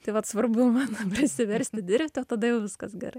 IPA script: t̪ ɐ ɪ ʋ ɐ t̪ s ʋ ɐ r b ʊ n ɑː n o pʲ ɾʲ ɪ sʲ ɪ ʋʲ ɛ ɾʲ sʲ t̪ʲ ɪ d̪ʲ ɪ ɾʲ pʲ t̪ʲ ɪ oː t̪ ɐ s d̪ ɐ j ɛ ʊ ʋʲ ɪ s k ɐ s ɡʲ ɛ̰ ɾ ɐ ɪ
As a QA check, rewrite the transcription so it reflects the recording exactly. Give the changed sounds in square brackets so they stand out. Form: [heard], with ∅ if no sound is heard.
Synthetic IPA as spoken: t̪ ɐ ɪ ʋ ɐ t̪ s ʋ ɐ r b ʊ [m] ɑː n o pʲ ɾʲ ɪ sʲ ɪ ʋʲ ɛ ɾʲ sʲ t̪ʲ ɪ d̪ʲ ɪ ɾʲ pʲ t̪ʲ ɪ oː t̪ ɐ [∅] d̪ ɐ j ɛ ʊ ʋʲ ɪ s k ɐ s ɡʲ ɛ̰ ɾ ɐ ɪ